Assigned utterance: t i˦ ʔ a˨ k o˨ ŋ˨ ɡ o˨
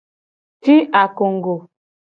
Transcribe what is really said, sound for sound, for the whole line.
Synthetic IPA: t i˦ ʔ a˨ k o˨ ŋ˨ ɡ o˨